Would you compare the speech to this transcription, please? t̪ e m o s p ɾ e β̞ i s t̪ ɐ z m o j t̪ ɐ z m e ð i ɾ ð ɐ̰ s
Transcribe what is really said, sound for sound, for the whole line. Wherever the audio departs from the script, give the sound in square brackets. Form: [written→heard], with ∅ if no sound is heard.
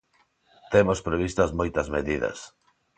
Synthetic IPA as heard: t̪ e m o s p ɾ e β̞ i s t̪ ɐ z m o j t̪ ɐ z m e ð i [ɾ→∅] ð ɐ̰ s